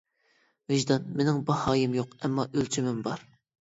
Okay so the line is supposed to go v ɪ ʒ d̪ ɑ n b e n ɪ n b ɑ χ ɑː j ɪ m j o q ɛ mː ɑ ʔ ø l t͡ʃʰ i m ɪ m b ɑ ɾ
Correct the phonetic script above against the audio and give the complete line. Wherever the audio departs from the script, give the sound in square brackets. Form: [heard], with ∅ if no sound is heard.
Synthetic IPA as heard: v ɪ ʒ d̪ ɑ n [m] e n ɪ [ŋ] b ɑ [h] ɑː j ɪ m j o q ɛ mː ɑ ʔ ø l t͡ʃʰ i m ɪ m b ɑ ɾ